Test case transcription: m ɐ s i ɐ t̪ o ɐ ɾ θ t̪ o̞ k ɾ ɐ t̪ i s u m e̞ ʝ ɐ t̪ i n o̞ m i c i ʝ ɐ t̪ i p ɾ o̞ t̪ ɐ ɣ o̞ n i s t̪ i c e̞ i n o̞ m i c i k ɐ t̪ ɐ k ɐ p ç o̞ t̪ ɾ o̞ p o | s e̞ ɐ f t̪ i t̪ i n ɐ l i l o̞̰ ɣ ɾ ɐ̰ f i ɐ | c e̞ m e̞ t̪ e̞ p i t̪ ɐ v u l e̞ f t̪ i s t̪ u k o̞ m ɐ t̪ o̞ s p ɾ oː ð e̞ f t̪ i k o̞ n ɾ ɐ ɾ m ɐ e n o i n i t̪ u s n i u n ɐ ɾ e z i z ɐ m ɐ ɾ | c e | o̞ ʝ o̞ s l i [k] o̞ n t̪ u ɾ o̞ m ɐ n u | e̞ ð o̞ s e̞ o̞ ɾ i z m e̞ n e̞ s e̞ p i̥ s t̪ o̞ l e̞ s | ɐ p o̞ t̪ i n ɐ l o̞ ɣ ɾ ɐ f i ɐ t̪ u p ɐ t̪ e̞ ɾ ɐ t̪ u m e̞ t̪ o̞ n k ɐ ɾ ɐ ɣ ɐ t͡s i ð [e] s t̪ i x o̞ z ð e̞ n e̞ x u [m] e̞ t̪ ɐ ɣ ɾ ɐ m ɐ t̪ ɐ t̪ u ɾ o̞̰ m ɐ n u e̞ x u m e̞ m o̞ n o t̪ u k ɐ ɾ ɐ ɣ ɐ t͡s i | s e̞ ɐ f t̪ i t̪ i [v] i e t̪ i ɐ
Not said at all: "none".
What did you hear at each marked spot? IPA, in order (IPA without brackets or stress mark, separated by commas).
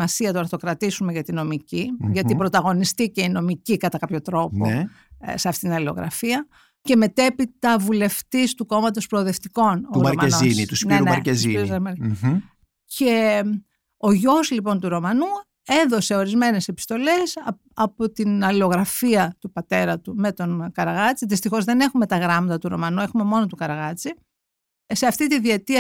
p, i, m, ð